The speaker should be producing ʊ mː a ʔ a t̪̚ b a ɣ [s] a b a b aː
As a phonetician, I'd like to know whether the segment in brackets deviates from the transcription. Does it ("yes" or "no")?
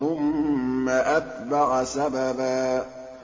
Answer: no